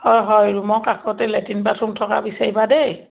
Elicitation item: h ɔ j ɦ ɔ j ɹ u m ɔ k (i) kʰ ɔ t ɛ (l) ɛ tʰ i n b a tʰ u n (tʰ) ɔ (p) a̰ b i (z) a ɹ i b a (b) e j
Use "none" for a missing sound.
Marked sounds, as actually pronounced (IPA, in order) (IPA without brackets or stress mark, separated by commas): a, l, tʰ, k, s, d